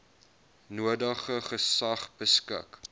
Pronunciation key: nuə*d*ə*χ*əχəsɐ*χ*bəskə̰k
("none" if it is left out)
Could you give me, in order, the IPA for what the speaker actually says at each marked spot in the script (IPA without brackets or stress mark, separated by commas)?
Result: d, χ, χ